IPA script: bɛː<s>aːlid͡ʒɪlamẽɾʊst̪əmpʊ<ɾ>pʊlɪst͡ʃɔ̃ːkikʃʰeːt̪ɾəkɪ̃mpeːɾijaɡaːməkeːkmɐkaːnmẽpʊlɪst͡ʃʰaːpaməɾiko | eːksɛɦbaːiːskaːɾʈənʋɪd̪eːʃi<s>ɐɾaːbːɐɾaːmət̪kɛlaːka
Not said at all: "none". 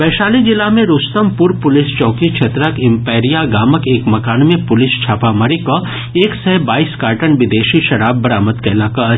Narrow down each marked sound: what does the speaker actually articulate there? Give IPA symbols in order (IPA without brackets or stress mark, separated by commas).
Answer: ʃ, ɾ, ʃ